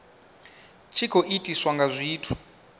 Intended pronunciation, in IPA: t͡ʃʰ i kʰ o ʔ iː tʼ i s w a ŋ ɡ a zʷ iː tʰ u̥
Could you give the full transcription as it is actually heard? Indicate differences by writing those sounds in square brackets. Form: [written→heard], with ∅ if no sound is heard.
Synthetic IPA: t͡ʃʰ i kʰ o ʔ [iː→i] tʼ i s w a ŋ ɡ a zʷ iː tʰ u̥